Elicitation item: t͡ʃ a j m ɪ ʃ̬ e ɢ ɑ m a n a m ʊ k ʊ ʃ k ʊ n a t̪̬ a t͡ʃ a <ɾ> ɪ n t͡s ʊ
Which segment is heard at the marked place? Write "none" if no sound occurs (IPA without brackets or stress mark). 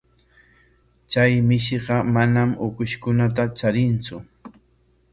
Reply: ɾ